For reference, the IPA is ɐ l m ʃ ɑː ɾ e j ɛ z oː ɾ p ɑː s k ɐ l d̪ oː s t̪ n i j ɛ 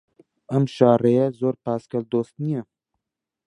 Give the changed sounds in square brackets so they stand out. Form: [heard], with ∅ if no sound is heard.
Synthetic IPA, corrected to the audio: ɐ [∅] m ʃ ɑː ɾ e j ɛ z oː ɾ p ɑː s k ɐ l d̪ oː s t̪ n i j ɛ